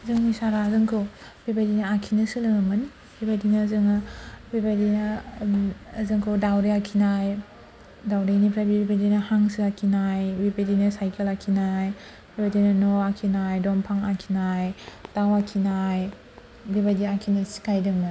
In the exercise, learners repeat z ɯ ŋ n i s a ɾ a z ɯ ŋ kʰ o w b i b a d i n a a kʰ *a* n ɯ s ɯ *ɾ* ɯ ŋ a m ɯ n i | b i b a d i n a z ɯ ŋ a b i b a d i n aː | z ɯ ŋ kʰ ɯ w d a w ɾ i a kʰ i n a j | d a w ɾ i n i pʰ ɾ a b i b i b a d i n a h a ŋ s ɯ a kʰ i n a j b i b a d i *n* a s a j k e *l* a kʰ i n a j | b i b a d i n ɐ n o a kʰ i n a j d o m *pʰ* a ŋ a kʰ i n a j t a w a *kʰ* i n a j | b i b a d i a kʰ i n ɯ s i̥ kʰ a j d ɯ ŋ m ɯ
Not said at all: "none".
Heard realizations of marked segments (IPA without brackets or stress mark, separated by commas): i, l, n, l, pʰ, kʰ